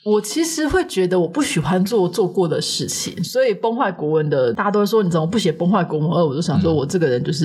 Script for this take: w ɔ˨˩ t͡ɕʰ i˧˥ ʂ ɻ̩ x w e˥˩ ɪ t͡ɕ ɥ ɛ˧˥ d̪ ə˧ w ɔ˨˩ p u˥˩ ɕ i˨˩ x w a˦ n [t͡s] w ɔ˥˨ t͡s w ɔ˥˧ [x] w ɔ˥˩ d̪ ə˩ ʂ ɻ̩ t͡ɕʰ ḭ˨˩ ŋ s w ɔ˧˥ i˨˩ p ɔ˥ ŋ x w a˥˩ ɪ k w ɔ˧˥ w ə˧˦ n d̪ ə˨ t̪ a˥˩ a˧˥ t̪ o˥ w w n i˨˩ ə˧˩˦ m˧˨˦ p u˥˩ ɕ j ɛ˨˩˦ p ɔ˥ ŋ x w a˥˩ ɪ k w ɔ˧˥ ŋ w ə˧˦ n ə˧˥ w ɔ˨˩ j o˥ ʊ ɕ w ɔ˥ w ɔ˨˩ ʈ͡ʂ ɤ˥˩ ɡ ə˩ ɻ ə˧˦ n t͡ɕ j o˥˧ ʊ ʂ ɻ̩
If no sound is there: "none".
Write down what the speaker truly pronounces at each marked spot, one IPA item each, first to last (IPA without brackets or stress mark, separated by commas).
t͡s, k